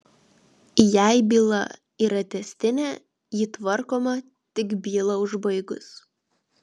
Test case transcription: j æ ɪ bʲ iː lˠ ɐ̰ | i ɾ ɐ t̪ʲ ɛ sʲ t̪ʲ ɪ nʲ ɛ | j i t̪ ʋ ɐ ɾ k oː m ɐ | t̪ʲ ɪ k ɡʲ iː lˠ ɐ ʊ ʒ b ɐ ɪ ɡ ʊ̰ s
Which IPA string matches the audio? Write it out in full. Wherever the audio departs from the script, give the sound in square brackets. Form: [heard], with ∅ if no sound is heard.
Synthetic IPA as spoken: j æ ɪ bʲ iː lˠ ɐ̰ | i ɾ ɐ t̪ʲ ɛ sʲ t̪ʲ ɪ nʲ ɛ | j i t̪ ʋ ɐ ɾ k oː m ɐ | t̪ʲ ɪ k [bʲ] iː lˠ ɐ ʊ ʒ b ɐ ɪ ɡ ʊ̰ s